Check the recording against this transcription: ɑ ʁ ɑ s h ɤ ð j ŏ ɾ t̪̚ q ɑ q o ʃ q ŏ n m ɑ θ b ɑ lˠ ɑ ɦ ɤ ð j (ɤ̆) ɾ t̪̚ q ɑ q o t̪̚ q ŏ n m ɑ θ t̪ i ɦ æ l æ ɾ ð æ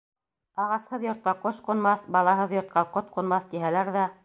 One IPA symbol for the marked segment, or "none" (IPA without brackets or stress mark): ŏ